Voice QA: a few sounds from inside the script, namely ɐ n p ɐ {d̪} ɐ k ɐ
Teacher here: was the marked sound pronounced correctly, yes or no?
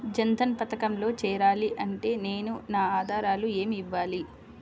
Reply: no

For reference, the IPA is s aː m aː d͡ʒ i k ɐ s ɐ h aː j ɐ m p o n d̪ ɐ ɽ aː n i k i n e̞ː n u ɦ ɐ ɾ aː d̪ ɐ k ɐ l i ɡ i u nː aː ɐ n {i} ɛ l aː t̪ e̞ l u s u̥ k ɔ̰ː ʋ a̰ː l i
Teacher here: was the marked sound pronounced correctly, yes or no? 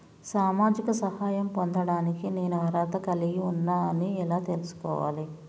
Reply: yes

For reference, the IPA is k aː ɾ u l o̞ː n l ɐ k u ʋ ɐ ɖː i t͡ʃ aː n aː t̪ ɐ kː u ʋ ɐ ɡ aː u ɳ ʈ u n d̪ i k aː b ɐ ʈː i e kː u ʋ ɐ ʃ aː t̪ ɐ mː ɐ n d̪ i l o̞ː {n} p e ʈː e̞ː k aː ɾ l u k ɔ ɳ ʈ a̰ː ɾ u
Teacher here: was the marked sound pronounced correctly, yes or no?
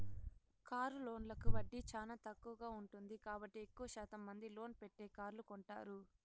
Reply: yes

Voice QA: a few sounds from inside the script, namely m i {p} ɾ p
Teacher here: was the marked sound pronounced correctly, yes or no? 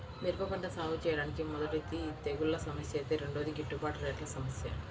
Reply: no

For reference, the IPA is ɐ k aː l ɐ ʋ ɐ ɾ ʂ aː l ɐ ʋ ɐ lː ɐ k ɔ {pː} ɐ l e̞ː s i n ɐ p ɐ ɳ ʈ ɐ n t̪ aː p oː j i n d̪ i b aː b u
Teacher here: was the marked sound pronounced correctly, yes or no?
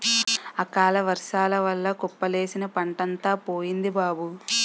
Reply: yes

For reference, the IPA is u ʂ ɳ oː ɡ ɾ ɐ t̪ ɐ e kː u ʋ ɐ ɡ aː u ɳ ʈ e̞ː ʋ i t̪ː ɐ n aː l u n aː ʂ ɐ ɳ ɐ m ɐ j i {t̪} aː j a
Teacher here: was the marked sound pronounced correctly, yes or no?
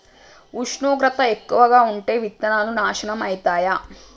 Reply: yes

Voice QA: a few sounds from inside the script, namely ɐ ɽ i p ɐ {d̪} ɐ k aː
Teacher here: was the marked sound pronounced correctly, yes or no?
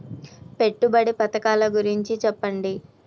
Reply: no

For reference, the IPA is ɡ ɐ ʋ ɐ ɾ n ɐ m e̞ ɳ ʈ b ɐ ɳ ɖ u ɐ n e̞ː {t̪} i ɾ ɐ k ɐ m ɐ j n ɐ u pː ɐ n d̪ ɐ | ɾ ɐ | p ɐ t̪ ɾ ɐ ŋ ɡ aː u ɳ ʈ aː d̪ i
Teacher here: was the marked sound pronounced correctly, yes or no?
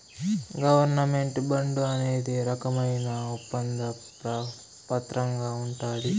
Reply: no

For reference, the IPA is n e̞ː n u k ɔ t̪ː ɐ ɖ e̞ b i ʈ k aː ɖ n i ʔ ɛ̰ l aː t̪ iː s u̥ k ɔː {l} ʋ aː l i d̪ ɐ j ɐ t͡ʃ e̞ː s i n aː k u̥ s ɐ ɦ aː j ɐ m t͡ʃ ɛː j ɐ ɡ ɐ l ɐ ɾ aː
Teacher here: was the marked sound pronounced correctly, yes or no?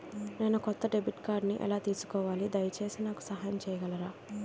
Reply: no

